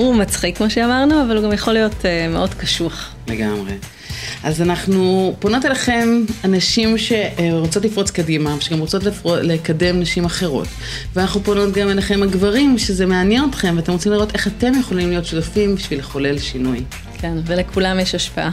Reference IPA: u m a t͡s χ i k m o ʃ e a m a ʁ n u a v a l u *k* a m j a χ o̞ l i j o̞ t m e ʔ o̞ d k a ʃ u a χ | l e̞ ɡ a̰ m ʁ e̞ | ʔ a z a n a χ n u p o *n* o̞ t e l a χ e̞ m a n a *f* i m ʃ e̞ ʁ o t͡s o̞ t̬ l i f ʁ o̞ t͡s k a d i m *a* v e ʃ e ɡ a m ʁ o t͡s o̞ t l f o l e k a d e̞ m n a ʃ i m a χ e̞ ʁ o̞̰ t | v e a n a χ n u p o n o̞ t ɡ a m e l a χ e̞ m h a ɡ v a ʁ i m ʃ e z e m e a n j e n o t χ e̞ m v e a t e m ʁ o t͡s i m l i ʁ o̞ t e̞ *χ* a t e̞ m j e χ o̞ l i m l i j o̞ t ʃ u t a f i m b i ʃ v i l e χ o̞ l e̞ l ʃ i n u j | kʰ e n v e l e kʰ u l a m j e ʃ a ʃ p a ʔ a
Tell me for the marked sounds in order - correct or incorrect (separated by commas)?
incorrect, correct, incorrect, correct, correct